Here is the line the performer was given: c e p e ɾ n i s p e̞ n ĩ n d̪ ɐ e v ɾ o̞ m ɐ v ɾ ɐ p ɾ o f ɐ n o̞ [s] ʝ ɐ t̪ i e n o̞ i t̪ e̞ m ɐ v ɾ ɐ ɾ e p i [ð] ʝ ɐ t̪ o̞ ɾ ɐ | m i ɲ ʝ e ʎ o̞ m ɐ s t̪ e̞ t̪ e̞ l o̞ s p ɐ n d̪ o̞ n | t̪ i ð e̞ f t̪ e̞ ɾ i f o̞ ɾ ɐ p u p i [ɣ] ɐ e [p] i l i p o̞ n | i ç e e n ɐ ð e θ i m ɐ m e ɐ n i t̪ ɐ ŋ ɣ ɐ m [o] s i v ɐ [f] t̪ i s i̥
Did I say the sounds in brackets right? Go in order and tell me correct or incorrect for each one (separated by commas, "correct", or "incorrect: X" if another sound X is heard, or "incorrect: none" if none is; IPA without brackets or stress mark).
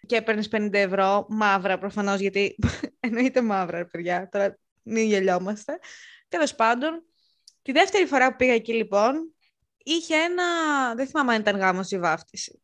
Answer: incorrect: z, correct, correct, incorrect: c, correct, correct